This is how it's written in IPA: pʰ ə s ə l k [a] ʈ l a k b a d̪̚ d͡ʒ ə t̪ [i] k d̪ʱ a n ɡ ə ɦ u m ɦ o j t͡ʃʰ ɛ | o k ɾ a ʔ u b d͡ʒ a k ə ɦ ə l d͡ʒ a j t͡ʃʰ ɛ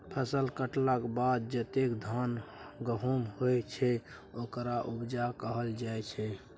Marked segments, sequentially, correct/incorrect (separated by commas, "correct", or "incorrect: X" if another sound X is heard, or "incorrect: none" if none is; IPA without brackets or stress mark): incorrect: ə, incorrect: e